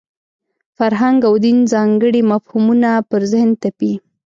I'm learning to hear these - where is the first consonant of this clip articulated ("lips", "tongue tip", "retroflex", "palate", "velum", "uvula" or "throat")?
lips